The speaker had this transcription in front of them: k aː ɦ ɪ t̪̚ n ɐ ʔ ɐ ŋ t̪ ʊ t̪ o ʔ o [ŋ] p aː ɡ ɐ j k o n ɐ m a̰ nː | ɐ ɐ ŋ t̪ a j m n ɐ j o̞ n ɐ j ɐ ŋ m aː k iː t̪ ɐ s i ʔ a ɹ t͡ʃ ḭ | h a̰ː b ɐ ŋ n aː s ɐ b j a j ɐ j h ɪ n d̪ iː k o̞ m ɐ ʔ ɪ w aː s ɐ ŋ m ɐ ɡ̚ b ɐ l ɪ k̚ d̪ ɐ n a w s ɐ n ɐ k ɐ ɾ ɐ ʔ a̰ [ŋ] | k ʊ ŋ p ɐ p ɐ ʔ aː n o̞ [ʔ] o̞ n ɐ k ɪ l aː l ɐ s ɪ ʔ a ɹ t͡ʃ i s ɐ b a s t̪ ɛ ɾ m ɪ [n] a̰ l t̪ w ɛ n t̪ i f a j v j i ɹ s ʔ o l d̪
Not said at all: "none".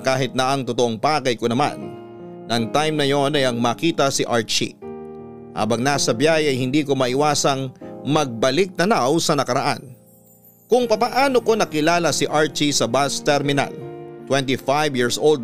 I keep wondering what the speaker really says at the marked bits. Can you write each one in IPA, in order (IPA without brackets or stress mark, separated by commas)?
ŋ, n, k, n